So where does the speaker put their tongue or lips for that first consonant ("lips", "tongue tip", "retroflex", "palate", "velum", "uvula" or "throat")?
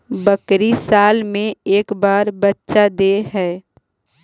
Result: lips